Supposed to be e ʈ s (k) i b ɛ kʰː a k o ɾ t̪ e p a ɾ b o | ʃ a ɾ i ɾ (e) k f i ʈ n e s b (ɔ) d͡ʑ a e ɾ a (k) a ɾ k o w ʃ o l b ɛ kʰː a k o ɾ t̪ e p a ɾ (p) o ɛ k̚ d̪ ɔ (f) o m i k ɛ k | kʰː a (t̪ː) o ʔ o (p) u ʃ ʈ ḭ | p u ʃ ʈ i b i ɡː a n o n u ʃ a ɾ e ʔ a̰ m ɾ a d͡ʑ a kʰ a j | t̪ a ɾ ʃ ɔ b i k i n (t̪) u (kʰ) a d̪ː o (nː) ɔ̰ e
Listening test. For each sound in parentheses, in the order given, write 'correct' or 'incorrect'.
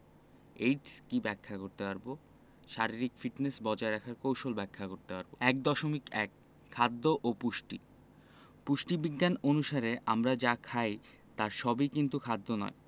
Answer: correct, incorrect, correct, incorrect, incorrect, incorrect, incorrect, correct, correct, correct, incorrect

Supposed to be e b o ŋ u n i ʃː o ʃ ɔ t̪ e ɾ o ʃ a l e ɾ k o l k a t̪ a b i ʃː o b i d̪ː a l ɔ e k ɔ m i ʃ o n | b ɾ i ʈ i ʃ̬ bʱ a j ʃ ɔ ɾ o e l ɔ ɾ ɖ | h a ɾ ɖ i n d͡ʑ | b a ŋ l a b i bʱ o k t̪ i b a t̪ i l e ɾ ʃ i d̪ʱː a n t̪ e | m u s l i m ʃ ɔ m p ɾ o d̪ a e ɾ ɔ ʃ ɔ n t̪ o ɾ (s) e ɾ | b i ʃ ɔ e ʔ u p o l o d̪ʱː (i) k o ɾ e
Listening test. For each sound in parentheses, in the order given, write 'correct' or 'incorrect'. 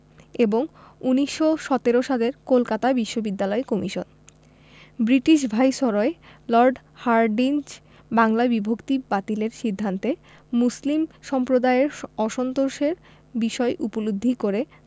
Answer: incorrect, correct

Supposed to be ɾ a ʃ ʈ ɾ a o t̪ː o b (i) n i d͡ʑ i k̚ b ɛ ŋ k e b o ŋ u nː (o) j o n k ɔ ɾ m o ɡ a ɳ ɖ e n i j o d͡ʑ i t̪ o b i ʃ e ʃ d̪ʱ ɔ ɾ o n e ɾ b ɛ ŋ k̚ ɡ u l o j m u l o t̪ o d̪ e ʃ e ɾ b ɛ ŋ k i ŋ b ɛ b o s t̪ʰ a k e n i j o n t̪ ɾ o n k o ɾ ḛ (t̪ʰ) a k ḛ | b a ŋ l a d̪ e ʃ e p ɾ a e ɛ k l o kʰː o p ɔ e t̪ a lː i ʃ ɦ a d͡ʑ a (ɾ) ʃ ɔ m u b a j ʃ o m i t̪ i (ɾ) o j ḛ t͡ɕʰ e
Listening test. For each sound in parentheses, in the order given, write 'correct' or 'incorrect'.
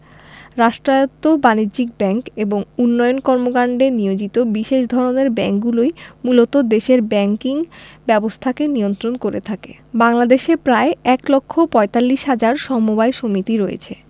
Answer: incorrect, incorrect, correct, correct, correct

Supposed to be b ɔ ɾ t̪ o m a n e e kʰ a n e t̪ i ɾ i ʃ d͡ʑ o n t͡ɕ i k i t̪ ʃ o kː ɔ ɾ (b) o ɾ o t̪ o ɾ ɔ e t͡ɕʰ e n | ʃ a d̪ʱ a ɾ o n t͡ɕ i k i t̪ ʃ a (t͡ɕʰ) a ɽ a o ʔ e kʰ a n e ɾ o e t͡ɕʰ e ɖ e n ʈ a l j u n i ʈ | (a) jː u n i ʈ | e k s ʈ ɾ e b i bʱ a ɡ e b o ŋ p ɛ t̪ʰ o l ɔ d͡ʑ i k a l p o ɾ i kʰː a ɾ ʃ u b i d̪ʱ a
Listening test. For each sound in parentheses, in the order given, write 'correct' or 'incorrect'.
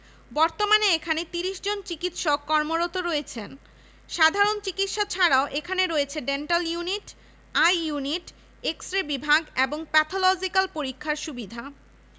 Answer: incorrect, correct, correct

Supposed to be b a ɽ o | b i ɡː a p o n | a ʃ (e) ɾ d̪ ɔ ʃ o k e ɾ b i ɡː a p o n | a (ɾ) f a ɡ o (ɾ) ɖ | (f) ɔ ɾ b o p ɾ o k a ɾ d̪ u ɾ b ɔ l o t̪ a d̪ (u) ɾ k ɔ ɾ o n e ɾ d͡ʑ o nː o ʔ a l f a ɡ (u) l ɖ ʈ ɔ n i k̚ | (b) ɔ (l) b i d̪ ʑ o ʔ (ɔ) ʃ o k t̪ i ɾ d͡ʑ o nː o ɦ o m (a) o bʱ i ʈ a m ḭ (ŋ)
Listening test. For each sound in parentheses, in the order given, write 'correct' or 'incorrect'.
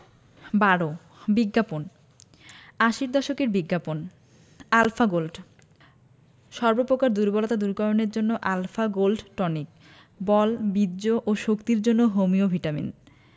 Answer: incorrect, incorrect, incorrect, incorrect, correct, incorrect, correct, correct, incorrect, incorrect, incorrect

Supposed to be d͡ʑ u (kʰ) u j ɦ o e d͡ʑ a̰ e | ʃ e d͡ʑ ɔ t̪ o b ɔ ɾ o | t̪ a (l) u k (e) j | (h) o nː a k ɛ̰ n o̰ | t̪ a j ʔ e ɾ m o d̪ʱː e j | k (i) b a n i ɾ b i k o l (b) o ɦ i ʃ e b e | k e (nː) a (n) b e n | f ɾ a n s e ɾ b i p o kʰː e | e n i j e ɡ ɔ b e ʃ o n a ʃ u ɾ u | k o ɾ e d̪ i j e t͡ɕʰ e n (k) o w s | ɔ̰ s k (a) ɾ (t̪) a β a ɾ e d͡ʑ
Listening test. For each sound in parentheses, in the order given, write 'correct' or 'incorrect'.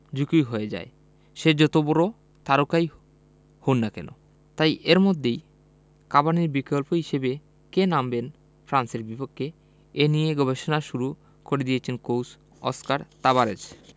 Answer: incorrect, incorrect, incorrect, correct, incorrect, incorrect, incorrect, incorrect, correct, correct, correct

